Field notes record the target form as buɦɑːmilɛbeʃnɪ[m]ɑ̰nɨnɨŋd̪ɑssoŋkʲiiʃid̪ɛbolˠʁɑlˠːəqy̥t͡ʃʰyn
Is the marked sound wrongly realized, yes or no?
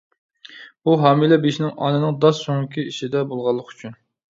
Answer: yes